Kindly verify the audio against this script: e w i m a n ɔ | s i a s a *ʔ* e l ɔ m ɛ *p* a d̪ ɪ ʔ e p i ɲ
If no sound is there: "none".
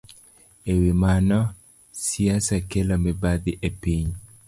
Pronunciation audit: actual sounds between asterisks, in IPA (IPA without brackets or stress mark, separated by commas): k, b